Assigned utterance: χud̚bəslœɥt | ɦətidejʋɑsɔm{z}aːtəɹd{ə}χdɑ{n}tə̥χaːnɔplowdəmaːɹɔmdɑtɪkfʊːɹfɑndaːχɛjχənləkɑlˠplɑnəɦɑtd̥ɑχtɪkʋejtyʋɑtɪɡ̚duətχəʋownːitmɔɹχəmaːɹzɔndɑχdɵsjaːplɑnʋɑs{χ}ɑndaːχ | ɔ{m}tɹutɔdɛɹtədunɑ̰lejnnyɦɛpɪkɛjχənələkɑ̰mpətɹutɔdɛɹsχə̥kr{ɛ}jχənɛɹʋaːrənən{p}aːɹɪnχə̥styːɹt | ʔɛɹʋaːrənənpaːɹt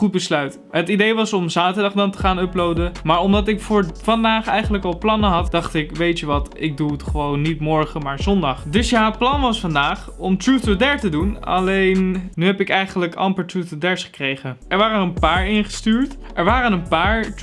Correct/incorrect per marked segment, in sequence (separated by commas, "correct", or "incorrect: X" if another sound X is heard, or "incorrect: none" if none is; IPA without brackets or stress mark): correct, incorrect: ɑ, correct, incorrect: f, correct, incorrect: e, correct